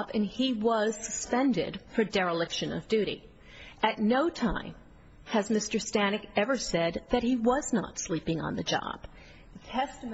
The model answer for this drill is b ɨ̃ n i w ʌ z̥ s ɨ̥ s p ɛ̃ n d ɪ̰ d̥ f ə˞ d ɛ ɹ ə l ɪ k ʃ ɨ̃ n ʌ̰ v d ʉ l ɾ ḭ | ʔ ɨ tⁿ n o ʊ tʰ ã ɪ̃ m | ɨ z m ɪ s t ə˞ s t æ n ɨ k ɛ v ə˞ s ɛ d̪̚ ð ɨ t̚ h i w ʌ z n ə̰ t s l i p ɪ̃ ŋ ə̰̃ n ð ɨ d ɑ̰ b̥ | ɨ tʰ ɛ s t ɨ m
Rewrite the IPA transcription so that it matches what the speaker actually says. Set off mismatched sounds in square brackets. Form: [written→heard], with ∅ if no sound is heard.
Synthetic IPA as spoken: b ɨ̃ n i w ʌ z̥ s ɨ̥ s p ɛ̃ n d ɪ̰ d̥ f ə˞ d ɛ ɹ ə l ɪ k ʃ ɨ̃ n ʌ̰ v d ʉ [l→∅] ɾ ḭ | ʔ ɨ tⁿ n o ʊ tʰ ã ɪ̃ m | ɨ z m ɪ s t ə˞ s t æ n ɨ k ɛ v ə˞ s ɛ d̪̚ ð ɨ t̚ h i w ʌ z n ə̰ t s l i p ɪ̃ ŋ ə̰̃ n ð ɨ [d→d͡ʒ] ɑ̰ b̥ | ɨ tʰ ɛ s t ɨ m